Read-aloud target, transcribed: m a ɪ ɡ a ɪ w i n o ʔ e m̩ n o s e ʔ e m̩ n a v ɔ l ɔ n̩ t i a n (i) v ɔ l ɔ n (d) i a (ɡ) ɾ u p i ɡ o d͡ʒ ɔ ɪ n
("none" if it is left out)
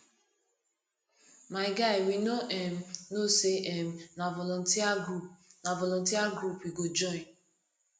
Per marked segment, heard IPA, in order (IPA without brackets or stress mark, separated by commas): a, t, ɡ